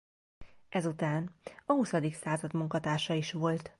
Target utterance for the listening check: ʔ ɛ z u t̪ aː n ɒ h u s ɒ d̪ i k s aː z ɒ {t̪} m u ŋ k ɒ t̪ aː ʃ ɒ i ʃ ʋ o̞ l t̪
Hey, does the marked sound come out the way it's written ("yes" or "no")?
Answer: no